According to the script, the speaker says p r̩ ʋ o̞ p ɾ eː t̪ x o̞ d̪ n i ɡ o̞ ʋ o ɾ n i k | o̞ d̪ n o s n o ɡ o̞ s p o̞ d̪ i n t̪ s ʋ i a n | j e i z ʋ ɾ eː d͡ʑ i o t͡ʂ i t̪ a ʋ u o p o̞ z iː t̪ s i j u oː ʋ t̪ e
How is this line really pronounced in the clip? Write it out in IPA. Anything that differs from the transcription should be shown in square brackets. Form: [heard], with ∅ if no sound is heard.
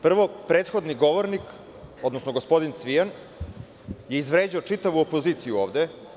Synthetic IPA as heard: p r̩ ʋ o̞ p ɾ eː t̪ x o̞ d̪ n i ɡ o̞ ʋ o ɾ n i k | o̞ d̪ n o s n o ɡ o̞ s p o̞ d̪ i n t̪ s ʋ i a n | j e i z ʋ ɾ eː d͡ʑ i o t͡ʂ i t̪ a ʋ u o p o̞ z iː t̪ s i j u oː ʋ [d̪] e